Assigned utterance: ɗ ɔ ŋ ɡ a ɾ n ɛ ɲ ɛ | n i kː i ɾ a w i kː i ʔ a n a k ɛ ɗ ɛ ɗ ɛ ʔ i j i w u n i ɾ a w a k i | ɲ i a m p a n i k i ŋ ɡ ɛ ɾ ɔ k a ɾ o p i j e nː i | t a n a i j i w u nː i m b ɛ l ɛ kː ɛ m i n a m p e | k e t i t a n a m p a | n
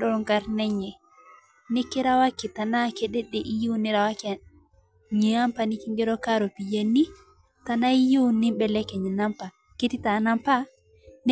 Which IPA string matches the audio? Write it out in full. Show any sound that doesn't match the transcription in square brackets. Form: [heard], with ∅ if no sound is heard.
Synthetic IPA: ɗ ɔ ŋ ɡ a ɾ n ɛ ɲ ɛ | n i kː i ɾ a w [a] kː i [t] a n a k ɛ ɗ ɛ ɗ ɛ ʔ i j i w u n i ɾ a w a k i | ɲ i a m p a n i k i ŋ ɡ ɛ ɾ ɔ k a ɾ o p i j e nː i | t a n a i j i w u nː i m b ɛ l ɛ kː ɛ [ɲ] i n a m p [a] | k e t i t a n a m p a | n